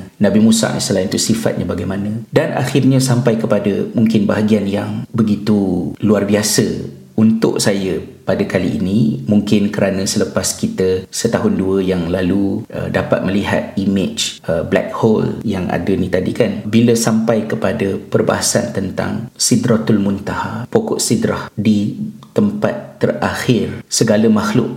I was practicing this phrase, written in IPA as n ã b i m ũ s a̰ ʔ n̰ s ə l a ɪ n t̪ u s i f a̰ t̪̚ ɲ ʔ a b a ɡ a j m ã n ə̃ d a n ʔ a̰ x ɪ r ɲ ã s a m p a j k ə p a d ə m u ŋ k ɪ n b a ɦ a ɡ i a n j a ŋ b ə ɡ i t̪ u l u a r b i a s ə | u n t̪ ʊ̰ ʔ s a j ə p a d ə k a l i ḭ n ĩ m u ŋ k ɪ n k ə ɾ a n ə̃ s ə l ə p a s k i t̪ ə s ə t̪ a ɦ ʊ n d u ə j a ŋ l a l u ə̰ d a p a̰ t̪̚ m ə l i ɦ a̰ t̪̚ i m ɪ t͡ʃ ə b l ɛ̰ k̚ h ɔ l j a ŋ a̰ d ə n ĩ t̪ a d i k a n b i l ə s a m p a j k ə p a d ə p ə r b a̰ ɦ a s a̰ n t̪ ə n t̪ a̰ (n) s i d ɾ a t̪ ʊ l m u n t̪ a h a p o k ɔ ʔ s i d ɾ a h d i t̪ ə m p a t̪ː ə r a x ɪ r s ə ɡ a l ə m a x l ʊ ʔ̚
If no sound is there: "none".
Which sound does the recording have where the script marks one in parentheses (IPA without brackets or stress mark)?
ŋ